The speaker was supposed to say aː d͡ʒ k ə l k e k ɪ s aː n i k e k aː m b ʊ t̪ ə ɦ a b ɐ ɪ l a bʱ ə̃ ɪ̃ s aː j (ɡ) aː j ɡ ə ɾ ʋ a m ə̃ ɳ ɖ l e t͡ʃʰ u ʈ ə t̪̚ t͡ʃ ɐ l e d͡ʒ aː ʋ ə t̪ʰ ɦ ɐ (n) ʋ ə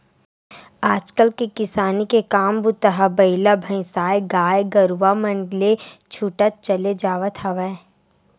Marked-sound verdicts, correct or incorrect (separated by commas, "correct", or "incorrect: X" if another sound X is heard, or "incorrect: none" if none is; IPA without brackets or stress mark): correct, incorrect: none